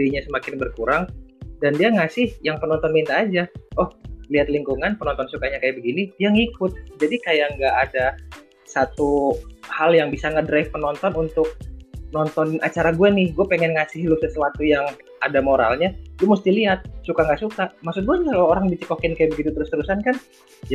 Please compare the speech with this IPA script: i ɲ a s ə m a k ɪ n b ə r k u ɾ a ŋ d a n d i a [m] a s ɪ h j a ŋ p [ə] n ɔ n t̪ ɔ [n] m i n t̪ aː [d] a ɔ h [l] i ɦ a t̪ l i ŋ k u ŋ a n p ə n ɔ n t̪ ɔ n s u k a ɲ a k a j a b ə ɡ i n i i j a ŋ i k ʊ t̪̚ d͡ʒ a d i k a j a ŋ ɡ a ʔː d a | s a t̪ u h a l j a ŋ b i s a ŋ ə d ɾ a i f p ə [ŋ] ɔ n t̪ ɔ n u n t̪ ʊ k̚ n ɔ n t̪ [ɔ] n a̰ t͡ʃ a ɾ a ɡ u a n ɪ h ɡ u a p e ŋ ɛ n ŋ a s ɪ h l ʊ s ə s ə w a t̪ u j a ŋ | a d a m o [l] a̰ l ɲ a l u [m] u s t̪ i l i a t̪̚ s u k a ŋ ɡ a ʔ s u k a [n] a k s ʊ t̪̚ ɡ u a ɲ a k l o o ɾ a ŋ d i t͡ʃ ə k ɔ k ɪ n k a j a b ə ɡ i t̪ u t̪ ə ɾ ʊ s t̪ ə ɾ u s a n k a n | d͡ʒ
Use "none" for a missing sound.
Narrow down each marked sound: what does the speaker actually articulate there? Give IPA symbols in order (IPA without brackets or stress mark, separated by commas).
ŋ, ə, n, d͡ʒ, l, n, ɔ, ɾ, m, m